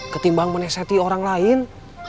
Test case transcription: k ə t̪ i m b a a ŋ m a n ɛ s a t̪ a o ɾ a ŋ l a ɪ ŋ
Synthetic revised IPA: k ə t̪ i m b a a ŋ m ə n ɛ s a t̪ i o ɾ a ŋ l a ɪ n